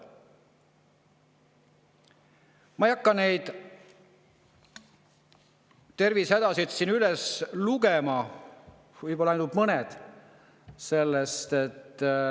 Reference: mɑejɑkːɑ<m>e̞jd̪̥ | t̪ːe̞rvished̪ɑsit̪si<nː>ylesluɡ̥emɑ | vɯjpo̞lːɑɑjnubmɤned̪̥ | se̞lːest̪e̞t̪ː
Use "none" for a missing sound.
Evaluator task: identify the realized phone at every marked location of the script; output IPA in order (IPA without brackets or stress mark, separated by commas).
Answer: n, n